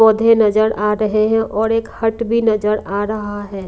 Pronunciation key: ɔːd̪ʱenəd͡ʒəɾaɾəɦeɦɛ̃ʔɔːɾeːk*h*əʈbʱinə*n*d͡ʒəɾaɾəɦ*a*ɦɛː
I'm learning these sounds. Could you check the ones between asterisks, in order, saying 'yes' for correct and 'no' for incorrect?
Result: yes, no, yes

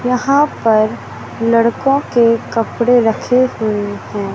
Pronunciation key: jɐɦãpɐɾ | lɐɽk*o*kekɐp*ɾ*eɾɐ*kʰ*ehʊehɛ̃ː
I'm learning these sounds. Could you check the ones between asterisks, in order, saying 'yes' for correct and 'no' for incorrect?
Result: no, no, yes

